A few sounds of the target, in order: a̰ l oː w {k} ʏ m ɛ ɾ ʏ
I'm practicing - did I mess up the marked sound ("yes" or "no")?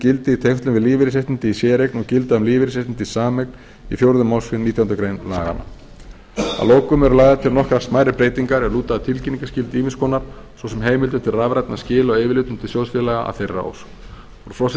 no